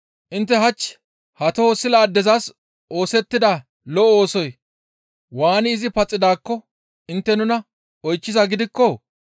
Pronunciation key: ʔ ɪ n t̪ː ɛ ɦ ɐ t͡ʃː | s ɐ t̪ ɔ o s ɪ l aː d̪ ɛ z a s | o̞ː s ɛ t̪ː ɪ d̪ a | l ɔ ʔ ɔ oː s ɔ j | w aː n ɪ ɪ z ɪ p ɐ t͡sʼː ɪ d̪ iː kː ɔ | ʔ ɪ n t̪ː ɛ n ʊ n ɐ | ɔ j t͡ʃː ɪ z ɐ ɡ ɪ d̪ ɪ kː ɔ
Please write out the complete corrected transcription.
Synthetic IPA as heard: ʔ ɪ n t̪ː ɛ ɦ ɐ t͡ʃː | h ɐ t̪ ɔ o s ɪ l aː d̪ ɛ z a s | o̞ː s ɛ t̪ː ɪ d̪ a | l ɔ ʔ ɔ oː s ɔ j | w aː n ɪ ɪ z ɪ p ɐ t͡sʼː ɪ d̪ aː kː ɔ | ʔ ɪ n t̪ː ɛ n ʊ n ɐ | ɔ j t͡ʃː ɪ z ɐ ɡ ɪ d̪ ɪ kː ɔ